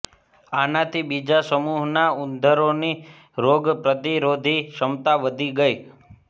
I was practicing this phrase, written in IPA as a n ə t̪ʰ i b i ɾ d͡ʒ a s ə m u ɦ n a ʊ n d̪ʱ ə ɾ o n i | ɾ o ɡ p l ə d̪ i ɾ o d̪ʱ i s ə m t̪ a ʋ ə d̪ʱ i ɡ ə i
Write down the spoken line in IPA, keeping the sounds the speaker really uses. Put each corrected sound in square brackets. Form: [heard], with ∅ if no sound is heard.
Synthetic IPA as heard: a n [a] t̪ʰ i b i [∅] d͡ʒ a s ə m u ɦ n a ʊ n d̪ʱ ə ɾ o n i | ɾ o ɡ p [ɾ] ə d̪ i ɾ o d̪ʱ i [ʃ] ə m t̪ a ʋ ə d̪ʱ i ɡ ə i